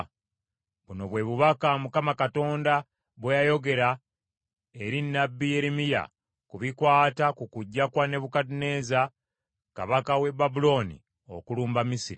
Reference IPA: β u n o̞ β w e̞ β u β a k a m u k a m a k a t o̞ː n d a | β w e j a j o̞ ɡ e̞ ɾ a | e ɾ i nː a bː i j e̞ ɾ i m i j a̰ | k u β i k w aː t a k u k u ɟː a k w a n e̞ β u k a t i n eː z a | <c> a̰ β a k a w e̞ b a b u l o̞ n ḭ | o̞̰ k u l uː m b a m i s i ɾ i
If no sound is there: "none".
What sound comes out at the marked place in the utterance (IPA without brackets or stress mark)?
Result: k